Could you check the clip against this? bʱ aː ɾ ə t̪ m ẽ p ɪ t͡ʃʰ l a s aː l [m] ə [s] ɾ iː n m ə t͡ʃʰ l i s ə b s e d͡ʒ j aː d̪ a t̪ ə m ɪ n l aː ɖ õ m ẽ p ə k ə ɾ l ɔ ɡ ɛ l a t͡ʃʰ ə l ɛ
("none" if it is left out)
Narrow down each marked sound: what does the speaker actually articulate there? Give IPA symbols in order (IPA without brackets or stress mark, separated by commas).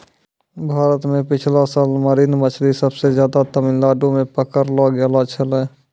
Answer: m, none